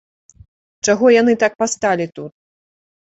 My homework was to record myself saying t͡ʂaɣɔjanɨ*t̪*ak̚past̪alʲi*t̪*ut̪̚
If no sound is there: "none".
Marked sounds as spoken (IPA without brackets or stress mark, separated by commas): t̪, t̪